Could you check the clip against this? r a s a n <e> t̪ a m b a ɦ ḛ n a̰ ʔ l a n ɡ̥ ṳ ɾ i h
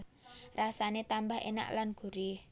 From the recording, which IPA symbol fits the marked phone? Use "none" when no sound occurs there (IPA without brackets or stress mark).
e